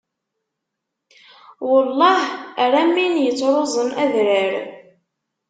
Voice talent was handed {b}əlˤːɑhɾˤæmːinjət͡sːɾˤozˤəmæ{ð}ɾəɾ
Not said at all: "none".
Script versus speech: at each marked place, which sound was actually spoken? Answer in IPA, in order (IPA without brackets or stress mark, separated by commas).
w, ð